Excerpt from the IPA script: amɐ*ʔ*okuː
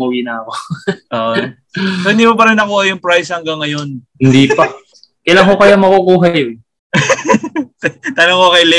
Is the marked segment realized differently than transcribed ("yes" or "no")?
yes